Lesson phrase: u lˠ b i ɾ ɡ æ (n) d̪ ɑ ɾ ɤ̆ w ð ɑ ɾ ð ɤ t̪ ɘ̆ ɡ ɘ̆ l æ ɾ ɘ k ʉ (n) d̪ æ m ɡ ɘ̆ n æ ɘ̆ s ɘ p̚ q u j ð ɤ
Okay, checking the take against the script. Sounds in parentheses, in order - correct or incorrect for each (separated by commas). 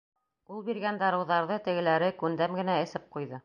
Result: correct, correct